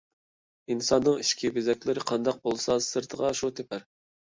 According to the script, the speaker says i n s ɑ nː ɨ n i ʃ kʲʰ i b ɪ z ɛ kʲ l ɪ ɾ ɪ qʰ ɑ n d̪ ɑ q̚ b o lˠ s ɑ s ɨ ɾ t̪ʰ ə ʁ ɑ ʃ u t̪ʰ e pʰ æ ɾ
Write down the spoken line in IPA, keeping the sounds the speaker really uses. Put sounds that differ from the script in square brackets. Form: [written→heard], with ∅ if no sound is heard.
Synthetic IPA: i n s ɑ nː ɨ [n→ŋ] i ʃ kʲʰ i b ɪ z ɛ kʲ l ɪ ɾ ɪ qʰ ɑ n d̪ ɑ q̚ b o lˠ s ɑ s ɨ ɾ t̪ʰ ə ʁ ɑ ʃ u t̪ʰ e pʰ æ ɾ